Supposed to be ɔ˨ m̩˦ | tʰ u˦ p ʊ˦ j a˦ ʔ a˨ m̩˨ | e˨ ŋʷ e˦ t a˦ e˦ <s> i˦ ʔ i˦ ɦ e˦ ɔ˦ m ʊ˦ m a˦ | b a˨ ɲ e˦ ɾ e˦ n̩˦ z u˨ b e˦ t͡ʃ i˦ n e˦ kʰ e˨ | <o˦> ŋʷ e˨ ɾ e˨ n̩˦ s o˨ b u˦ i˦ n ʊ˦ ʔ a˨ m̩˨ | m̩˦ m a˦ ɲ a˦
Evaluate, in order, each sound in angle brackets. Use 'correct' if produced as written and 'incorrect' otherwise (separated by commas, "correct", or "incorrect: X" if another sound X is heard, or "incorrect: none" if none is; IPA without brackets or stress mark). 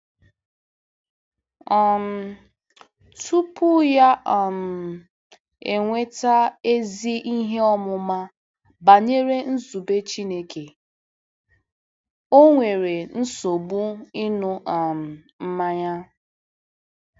incorrect: z, correct